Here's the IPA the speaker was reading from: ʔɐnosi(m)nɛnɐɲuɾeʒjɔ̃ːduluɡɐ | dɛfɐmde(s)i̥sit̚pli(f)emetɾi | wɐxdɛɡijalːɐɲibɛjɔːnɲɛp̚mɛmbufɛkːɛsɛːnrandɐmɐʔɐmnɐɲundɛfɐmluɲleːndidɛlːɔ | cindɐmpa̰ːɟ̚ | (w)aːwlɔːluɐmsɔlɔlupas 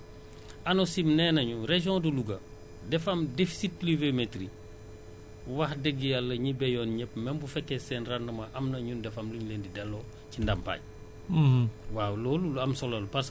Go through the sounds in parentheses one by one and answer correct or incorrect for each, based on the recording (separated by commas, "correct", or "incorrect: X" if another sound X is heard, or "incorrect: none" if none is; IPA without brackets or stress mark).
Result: correct, incorrect: f, incorrect: v, correct